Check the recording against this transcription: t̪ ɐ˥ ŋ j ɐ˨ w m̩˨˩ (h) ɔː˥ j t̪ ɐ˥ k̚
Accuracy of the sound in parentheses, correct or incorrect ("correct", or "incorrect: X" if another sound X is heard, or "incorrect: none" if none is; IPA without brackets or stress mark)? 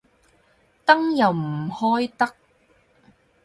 correct